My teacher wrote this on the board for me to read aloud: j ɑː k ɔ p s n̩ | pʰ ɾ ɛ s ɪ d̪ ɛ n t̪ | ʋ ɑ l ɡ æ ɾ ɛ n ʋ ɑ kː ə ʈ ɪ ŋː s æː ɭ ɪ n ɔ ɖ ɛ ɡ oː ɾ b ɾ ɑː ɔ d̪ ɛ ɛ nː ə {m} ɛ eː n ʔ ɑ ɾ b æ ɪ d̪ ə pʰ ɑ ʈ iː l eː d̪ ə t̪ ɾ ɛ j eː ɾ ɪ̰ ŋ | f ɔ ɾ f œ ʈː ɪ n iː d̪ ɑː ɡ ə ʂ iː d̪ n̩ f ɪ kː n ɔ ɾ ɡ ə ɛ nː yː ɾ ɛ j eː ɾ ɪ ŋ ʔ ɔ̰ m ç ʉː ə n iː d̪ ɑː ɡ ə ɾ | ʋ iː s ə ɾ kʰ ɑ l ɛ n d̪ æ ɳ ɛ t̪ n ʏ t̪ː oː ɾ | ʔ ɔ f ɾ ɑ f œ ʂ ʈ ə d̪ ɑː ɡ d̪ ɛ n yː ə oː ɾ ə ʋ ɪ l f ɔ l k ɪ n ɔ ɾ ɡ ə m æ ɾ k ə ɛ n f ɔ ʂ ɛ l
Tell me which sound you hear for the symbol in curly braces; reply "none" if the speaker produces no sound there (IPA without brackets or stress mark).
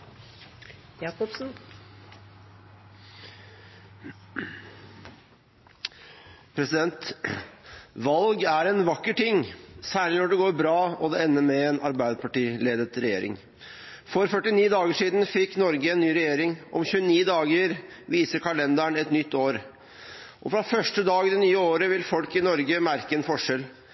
m